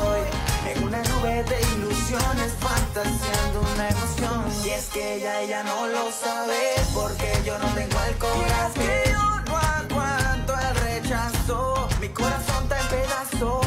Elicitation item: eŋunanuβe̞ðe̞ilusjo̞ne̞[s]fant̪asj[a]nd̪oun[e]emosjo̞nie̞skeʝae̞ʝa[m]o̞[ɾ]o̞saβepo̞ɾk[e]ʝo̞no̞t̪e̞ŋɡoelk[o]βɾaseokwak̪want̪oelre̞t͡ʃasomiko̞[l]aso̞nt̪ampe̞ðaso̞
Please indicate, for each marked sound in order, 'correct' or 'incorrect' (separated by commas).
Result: correct, correct, incorrect, incorrect, incorrect, correct, correct, incorrect